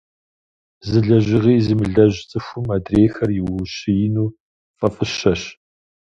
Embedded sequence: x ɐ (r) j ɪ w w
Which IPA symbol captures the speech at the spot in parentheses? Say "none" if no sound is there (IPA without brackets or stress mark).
r